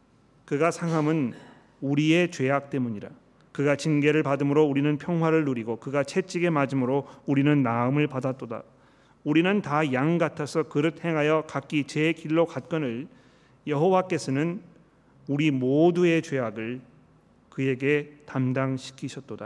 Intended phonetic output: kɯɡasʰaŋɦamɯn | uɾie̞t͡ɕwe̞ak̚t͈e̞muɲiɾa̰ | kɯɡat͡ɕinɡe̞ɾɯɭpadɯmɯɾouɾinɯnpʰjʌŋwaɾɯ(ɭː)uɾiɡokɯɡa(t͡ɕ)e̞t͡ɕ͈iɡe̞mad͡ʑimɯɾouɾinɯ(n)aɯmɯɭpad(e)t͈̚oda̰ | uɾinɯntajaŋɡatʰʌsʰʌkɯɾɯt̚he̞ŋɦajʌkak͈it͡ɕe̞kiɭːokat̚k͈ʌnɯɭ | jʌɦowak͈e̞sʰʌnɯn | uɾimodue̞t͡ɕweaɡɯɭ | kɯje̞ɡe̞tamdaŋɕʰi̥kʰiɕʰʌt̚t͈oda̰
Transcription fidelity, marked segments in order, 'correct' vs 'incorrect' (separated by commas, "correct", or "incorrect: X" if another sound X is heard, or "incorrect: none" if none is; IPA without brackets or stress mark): correct, incorrect: t͡ɕʰ, incorrect: nː, incorrect: a